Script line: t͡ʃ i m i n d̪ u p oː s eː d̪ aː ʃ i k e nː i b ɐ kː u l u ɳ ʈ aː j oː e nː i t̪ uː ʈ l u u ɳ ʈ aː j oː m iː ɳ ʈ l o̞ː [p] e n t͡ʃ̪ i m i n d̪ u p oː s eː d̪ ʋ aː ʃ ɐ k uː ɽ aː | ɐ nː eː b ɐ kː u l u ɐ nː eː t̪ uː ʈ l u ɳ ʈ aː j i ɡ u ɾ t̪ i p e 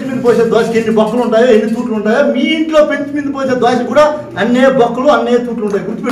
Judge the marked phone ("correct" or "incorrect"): correct